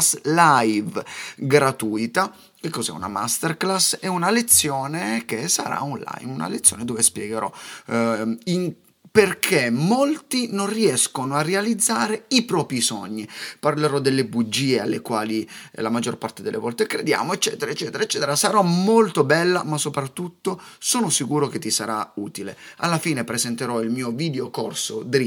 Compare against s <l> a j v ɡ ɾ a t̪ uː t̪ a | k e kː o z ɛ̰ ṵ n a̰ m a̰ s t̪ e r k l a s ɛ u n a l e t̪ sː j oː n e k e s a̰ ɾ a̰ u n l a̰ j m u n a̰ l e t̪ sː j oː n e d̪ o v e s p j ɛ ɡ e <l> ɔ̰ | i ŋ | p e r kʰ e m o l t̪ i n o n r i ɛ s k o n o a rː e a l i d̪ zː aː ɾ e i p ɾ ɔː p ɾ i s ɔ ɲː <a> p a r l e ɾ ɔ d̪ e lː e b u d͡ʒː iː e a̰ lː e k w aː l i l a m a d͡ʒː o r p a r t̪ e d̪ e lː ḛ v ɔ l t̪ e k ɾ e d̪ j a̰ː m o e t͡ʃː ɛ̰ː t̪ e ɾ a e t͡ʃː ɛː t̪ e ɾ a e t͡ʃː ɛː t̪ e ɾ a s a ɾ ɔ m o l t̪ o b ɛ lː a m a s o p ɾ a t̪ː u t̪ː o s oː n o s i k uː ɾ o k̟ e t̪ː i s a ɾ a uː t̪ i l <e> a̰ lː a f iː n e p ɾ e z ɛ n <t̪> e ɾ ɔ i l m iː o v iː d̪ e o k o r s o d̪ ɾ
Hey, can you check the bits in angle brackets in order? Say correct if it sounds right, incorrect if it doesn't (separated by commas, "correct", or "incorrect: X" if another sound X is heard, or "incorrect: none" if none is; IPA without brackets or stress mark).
correct, incorrect: ɾ, incorrect: i, correct, correct